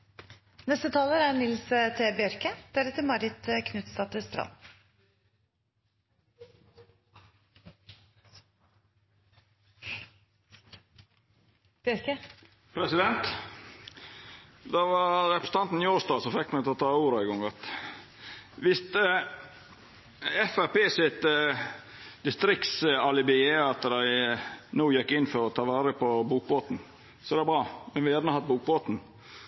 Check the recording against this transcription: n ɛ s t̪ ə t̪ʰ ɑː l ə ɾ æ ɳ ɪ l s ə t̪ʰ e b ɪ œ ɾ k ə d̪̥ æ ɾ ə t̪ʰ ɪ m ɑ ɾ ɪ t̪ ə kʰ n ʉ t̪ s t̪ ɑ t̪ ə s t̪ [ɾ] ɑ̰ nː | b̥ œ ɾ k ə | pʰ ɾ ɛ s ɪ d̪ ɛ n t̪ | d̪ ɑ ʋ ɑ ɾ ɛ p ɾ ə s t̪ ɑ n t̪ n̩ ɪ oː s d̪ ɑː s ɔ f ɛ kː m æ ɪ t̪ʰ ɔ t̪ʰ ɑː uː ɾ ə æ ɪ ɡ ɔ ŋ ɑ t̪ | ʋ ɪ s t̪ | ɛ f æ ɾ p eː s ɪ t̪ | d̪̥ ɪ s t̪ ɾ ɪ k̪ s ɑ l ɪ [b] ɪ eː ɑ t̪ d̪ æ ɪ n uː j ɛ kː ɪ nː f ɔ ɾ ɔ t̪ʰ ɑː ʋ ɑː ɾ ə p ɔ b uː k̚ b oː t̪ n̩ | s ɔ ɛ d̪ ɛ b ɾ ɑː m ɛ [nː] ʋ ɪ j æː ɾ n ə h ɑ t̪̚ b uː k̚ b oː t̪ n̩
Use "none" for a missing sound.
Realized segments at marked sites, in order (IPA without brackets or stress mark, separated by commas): ɾ, b, n